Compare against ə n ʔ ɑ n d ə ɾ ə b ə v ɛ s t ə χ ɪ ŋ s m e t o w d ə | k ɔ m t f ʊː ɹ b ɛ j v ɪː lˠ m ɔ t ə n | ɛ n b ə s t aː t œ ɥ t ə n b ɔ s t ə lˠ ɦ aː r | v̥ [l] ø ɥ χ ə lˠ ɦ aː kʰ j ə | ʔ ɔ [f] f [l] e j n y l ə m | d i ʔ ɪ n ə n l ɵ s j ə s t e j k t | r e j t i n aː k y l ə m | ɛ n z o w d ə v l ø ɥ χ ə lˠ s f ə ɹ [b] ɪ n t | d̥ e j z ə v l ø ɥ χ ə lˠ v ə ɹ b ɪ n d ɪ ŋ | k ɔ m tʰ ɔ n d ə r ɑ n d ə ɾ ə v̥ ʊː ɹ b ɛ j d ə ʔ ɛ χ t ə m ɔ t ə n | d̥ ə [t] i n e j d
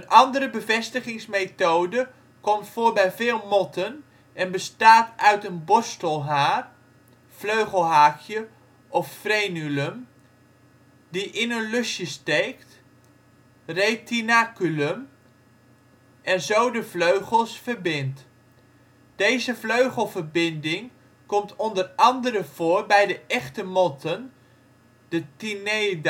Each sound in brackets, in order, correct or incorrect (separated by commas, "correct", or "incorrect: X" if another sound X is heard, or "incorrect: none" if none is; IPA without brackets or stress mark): correct, correct, incorrect: r, correct, correct